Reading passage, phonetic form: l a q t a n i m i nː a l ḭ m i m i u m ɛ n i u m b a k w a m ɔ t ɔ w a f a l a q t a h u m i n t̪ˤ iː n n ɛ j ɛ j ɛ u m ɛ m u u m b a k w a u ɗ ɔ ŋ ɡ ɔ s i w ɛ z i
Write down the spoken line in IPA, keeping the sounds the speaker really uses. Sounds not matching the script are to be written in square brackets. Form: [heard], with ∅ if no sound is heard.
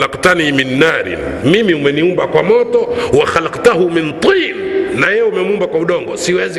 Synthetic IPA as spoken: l a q t a n i m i nː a [ɾ] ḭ m i m i u m ɛ n i u m b a k w a m ɔ t ɔ w a [x] a l a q t a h u m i n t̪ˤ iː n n [a] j ɛ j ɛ u m ɛ m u u m b a k w a u ɗ ɔ ŋ ɡ ɔ s i w ɛ z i